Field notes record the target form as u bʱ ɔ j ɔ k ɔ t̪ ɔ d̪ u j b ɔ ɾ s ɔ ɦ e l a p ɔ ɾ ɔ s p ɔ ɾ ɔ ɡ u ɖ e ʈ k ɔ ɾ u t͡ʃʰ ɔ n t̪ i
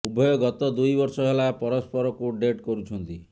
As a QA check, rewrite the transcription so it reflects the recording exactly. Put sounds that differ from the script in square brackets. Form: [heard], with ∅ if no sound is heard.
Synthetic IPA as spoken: u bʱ ɔ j ɔ [ɡ] ɔ t̪ ɔ d̪ u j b ɔ ɾ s ɔ ɦ e l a p ɔ ɾ ɔ s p ɔ ɾ ɔ [k] u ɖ e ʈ k ɔ ɾ u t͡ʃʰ ɔ n t̪ i